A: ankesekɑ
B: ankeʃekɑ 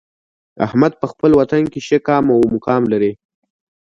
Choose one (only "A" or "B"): B